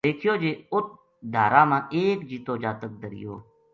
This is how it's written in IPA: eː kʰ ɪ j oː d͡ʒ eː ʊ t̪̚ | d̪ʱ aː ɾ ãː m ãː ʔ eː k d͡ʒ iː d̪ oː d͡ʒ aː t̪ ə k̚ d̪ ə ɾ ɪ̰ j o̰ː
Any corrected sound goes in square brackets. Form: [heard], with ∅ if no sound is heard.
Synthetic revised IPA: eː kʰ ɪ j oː d͡ʒ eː ʊ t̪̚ | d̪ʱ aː ɾ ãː m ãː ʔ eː k d͡ʒ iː [t̪] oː d͡ʒ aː t̪ ə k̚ d̪ ə ɾ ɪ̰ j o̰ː